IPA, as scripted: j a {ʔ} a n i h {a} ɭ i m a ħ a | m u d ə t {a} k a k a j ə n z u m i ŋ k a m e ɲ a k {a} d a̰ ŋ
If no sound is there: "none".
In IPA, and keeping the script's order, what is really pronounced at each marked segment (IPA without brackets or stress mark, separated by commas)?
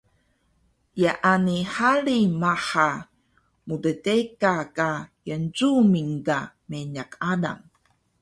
ʔ, a, e, a